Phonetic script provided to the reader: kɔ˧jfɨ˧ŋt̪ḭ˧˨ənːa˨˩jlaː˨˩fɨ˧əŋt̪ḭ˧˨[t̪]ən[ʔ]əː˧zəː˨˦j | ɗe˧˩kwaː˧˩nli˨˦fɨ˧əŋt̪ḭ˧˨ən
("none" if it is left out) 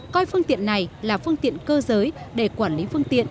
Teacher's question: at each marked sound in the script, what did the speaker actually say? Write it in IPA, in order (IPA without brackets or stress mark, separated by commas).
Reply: none, k